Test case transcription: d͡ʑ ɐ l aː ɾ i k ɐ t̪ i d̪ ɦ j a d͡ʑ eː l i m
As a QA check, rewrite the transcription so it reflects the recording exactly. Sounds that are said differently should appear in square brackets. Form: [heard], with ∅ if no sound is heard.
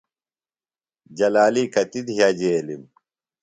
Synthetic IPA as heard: d͡ʑ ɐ l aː [l] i k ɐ t̪ i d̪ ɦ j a d͡ʑ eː l i m